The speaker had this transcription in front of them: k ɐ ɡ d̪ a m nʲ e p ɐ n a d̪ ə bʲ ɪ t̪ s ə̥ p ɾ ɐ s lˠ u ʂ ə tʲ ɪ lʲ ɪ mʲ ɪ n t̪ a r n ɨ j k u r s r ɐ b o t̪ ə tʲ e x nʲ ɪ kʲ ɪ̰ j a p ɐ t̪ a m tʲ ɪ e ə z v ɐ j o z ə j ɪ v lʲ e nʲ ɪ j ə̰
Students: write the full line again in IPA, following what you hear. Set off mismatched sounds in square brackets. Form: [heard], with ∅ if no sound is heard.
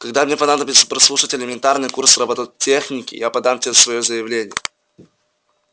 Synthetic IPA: k ɐ ɡ d̪ a m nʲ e p ɐ n a d̪ ə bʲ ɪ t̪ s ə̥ p ɾ ɐ s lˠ u ʂ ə tʲ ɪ lʲ ɪ mʲ ɪ n t̪ a r n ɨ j k u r s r ɐ b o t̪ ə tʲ e x nʲ ɪ kʲ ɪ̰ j a p ɐ [d̪] a m tʲ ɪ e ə [s] v ɐ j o z ə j ɪ v lʲ e nʲ ɪ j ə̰